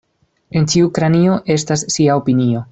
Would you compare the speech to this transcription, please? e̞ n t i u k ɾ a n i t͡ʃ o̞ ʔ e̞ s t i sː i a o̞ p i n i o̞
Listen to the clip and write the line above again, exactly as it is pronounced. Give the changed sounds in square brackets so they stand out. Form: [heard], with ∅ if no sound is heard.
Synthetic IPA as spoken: e̞ n [t͡ʃ] i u k ɾ a n i [∅] o̞ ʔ e̞ s t [a] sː i a o̞ p i n i o̞